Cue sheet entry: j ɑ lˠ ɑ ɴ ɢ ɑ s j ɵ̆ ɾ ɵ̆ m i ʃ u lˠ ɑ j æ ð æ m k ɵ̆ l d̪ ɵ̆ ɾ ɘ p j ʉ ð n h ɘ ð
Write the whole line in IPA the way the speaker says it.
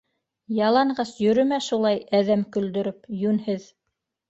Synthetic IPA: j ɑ lˠ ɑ ɴ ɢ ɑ s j ɵ̆ ɾ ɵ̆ m æ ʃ u lˠ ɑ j æ ð æ m k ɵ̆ l d̪ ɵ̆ ɾ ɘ p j ʉ n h ɘ ð